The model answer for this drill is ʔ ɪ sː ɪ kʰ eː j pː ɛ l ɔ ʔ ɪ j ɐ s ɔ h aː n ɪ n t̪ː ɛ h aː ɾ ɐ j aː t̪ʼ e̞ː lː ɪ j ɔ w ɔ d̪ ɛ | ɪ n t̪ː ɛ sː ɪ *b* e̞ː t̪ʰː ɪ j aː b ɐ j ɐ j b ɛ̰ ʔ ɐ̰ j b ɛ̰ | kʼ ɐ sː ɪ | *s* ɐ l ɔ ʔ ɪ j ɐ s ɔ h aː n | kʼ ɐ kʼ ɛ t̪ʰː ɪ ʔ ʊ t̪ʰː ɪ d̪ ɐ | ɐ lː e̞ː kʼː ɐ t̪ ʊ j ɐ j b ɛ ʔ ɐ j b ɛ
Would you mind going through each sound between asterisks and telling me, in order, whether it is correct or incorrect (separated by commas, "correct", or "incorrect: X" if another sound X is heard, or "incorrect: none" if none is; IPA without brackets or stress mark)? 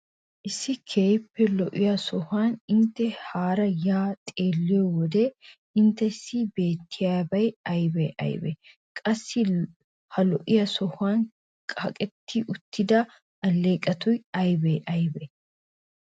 correct, incorrect: h